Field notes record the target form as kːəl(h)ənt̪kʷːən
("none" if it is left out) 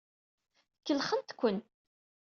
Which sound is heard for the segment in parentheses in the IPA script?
χ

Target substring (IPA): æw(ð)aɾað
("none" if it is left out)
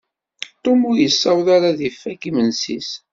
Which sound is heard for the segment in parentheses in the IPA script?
ð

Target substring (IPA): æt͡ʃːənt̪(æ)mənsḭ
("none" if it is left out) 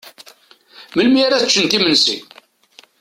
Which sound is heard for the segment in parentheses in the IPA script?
i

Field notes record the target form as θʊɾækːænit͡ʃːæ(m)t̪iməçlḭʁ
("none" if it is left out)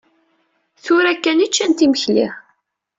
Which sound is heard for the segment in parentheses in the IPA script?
n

